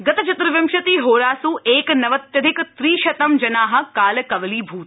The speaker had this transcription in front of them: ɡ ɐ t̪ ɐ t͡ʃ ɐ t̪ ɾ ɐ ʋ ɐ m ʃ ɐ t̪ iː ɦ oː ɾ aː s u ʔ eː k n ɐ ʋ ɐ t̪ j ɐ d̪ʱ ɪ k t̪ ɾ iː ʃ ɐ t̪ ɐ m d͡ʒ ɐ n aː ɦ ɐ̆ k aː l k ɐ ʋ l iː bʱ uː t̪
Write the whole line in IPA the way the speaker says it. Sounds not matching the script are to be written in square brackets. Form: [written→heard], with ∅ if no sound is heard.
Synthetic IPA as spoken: ɡ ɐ t̪ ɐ t͡ʃ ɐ t̪ ɾ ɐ ʋ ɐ m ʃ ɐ t̪ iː ɦ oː ɾ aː s u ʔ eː k n ɐ ʋ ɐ t̪ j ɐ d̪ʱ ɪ k t̪ ɾ iː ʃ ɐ t̪ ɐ m d͡ʒ ɐ n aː ɦ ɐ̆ k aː l k ɐ ʋ l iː bʱ uː t̪